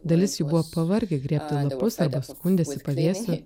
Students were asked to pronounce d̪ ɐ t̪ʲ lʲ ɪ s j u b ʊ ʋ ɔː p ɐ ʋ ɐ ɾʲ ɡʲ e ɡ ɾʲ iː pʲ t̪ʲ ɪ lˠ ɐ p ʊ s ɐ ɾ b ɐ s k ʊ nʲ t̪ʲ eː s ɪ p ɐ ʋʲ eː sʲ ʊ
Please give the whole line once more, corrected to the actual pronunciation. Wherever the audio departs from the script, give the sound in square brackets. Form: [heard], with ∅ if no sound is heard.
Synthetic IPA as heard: d̪ ɐ [∅] lʲ ɪ s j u b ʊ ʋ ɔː p ɐ ʋ ɐ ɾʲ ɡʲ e ɡ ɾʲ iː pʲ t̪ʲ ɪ lˠ ɐ p ʊ s ɐ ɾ b ɐ s k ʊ nʲ [d̪ʲ] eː s ɪ p ɐ ʋʲ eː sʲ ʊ